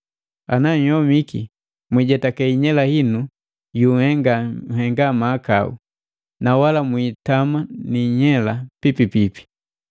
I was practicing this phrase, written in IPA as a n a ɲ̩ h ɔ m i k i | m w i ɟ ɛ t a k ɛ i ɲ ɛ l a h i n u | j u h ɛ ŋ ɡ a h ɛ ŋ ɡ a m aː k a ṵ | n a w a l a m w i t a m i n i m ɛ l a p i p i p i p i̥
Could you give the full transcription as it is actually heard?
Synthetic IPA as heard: a n a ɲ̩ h ɔ m i k i | m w i ɟ ɛ t a k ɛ i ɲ ɛ l a h i n u | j u h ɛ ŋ ɡ a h ɛ ŋ ɡ a m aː k a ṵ | n a w a l a m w i t a m a n i ɲ ɛ l a p i p i p i p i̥